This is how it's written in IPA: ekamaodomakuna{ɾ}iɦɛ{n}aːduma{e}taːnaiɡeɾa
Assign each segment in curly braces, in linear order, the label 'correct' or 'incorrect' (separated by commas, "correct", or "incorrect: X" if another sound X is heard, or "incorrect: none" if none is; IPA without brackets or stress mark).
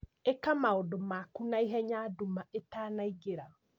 incorrect: none, incorrect: ɲ, correct